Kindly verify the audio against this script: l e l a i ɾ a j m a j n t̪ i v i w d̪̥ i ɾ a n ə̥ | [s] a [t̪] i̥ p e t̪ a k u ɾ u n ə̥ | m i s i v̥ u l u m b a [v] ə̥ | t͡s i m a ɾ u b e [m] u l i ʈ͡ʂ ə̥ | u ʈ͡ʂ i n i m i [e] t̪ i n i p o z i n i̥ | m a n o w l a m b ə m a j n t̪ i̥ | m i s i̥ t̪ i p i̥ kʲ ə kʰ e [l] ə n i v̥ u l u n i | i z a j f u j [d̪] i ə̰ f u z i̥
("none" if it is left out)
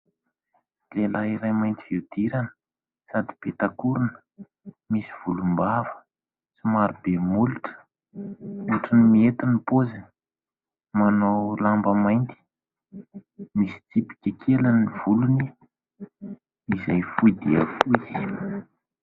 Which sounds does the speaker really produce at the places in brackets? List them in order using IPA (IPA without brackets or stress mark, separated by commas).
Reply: s, d̪, v, m, e, l, d̪